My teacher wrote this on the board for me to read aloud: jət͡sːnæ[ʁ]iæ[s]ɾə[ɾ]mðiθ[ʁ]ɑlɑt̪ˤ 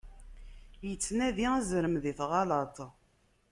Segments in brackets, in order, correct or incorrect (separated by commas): incorrect, incorrect, incorrect, correct